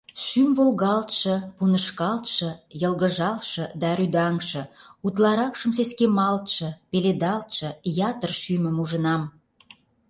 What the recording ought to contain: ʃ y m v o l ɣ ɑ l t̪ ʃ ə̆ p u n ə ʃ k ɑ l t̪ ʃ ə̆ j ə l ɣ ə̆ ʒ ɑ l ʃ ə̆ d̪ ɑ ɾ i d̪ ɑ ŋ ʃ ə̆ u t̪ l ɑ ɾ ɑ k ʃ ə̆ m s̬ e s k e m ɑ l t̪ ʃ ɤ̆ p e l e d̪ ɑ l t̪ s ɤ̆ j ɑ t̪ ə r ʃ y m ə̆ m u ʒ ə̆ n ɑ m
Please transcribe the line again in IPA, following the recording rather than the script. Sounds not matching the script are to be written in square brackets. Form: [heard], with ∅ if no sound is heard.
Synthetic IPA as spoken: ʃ y m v o l ɣ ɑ l t̪ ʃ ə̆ p u n ə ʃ k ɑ l t̪ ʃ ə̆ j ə l ɣ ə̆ ʒ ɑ l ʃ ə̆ d̪ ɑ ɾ [y] d̪ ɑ ŋ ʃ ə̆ u t̪ l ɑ ɾ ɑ k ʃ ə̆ m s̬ e s k e m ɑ l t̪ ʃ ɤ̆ p e l e d̪ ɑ l t̪ [ʃ] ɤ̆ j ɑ t̪ ə r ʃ y m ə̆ m u ʒ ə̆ n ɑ m